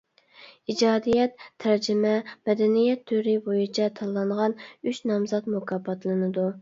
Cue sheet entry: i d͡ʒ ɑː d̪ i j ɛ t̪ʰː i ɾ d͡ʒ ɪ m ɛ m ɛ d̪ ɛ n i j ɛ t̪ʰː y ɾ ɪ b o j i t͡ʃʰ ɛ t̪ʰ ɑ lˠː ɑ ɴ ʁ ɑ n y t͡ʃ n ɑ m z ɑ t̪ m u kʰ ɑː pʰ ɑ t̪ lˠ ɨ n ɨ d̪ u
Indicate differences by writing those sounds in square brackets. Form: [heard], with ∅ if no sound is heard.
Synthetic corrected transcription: i d͡ʒ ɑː d̪ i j ɛ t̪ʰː [æ] ɾ d͡ʒ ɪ m ɛ m ɛ d̪ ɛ n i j ɛ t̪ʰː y ɾ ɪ b o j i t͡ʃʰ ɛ t̪ʰ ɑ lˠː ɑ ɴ ʁ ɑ n y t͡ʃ n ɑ m z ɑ t̪ m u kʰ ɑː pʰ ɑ t̪ lˠ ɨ n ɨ d̪ u